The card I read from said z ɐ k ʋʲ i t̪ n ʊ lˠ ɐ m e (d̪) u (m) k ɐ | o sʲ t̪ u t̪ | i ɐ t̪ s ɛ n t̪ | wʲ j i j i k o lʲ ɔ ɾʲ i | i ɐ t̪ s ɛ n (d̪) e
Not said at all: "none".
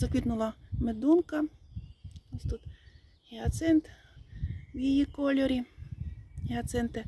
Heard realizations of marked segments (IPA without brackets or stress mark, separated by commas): d̪, n, t̪